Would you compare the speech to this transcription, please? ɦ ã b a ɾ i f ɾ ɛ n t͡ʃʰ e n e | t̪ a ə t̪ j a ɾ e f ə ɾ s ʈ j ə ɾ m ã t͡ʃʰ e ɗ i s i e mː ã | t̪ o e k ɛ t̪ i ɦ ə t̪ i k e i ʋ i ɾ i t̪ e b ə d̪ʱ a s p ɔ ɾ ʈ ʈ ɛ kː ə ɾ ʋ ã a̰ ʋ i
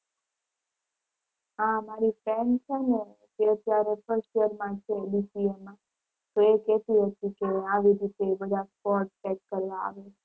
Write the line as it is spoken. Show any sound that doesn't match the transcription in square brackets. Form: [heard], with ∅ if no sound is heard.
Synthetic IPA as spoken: ɦ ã [m] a ɾ i f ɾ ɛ n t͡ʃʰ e n e | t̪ [e] ə t̪ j a ɾ e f ə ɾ s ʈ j ə ɾ m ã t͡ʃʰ e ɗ i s i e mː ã | t̪ o e k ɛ t̪ i ɦ ə t̪ i k e [a] ʋ i ɾ i t̪ e b ə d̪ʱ a s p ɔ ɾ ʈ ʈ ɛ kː ə ɾ ʋ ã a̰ ʋ [e]